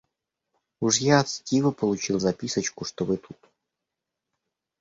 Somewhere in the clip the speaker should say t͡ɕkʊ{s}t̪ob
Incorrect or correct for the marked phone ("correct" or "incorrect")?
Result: incorrect